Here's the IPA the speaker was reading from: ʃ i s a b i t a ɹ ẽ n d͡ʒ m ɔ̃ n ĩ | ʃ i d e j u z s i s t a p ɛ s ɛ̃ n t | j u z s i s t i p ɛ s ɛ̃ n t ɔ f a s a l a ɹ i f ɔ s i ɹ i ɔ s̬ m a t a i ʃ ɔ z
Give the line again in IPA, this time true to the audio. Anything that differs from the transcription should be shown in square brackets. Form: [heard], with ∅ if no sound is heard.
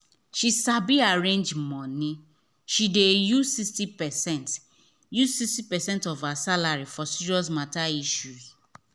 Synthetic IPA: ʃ i s a b i [∅] a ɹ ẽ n d͡ʒ m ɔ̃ n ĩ | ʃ i d e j u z s i s t [i] p ɛ s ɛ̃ n t | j u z s i s t i p ɛ s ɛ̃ n t ɔ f a s a l a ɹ i f ɔ s i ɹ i ɔ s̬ m a t a i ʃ [u] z